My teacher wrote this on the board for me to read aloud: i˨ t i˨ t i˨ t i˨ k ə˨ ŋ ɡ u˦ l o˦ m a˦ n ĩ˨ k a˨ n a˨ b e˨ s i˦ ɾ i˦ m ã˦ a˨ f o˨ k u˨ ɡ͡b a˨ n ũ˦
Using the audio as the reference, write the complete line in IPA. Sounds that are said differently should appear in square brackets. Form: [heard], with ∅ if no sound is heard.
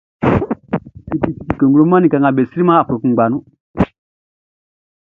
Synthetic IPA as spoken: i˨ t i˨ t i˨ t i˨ k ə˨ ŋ ɡ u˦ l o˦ m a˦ n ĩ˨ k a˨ [ŋ] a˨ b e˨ s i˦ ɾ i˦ m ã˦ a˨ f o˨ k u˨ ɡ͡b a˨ n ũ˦